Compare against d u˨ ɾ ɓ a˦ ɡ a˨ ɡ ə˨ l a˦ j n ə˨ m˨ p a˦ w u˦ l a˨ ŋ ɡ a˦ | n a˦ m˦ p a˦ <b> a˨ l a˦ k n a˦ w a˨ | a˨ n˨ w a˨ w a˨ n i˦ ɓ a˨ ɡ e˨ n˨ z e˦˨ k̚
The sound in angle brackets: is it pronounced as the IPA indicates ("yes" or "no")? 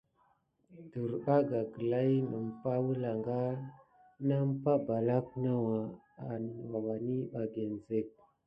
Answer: yes